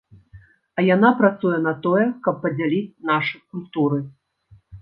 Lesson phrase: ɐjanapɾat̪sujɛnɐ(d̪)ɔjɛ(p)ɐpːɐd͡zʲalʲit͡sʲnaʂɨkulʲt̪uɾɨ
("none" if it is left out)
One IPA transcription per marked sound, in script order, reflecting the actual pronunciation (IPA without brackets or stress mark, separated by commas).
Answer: t̪, k